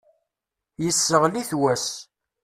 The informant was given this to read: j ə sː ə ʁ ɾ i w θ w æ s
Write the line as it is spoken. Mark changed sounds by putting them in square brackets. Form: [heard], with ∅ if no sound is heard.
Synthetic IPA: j ə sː ə ʁ [l] i [∅] θ w æ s